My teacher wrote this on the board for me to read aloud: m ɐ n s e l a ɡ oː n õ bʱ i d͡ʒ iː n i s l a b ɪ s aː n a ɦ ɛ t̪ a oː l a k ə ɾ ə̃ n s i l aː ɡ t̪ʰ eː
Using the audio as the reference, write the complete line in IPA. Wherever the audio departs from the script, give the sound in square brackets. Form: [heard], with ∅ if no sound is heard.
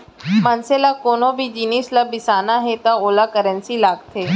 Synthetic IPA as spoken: m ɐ n s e l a [k] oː n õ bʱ i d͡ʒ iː n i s l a b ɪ s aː n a ɦ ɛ t̪ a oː l a k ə ɾ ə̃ n s i l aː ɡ t̪ʰ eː